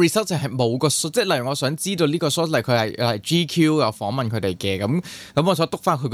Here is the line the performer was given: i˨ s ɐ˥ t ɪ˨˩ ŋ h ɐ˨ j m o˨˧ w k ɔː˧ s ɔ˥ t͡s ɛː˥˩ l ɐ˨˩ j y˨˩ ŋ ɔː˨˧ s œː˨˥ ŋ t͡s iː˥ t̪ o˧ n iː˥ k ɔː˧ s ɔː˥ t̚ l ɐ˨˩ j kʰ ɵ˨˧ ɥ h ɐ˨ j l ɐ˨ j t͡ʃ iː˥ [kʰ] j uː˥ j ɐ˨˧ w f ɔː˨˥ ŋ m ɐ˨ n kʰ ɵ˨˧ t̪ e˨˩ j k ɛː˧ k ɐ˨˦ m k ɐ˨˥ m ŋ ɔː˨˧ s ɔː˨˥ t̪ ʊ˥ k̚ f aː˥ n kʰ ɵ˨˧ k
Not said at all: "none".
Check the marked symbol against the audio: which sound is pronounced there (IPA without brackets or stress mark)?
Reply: kʰ